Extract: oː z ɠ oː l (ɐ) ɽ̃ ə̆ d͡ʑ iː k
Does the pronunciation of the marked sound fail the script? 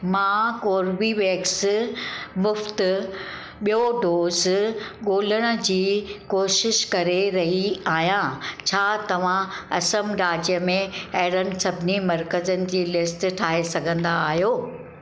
yes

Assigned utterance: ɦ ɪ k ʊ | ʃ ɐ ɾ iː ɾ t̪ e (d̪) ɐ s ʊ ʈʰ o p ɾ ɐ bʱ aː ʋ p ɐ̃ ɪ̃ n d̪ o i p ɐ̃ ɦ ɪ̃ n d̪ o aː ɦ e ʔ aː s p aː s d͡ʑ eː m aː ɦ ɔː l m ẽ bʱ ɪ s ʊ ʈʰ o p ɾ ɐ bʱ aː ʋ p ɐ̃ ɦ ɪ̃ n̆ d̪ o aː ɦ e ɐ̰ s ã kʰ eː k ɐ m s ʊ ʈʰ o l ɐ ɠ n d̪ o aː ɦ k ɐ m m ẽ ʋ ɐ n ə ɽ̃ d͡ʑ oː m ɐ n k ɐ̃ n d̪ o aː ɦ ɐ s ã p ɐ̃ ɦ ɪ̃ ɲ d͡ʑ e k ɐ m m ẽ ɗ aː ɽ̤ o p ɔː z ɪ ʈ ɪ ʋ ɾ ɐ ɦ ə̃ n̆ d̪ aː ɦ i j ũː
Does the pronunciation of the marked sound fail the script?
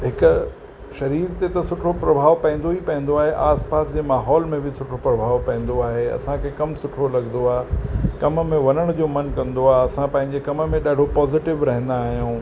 yes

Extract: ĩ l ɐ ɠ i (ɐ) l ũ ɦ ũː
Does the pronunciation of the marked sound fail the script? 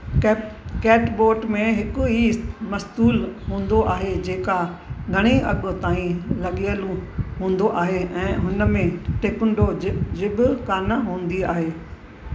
yes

